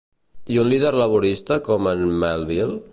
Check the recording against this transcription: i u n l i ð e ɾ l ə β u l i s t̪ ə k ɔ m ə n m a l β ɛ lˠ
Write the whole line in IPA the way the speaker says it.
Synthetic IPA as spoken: i u n l i ð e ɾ l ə β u ɾ i s t̪ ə k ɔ m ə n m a l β i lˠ